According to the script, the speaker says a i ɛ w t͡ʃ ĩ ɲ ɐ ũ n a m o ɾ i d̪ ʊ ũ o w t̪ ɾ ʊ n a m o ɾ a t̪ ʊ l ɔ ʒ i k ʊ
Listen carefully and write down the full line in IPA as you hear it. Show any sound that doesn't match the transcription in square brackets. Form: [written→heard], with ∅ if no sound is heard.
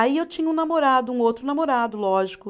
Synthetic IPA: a i [ɛ→e] w t͡ʃ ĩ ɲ ɐ ũ n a m o ɾ [i→a] d̪ ʊ ũ o w t̪ ɾ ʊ n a m o ɾ a [t̪→d̪] ʊ l ɔ ʒ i k ʊ